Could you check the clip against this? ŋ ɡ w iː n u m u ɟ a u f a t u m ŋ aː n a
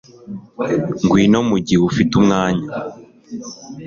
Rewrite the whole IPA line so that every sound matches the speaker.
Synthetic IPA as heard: ŋ ɡ w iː n o m u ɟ i u f i t u m ŋ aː ɲ a